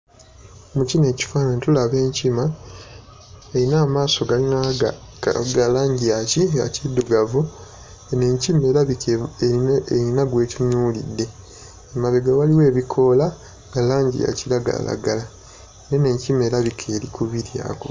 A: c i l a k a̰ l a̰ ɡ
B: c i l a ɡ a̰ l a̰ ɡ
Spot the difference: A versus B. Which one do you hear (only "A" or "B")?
B